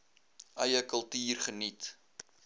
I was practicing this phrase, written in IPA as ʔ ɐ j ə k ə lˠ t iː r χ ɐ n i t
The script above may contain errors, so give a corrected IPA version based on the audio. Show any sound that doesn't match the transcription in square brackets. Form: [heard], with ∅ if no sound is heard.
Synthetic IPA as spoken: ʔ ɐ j ə k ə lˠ t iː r χ [ə] n i t